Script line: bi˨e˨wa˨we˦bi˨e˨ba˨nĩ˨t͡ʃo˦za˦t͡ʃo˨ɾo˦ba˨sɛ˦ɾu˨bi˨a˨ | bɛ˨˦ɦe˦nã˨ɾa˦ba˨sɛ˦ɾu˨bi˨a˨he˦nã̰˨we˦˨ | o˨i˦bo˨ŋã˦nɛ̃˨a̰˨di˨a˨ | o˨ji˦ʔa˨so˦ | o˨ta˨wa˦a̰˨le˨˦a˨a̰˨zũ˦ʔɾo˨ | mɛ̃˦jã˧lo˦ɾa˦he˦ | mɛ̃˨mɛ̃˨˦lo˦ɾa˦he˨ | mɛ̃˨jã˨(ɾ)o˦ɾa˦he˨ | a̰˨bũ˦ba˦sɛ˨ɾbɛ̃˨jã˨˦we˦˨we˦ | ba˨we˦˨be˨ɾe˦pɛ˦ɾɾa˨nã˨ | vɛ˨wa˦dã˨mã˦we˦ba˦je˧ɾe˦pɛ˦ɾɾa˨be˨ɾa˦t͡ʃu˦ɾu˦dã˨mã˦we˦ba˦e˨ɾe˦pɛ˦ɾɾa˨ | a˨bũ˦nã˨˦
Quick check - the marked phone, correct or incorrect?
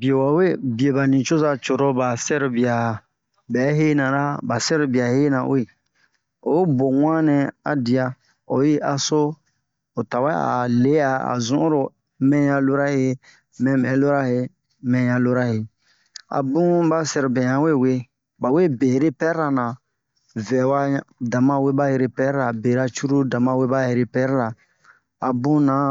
incorrect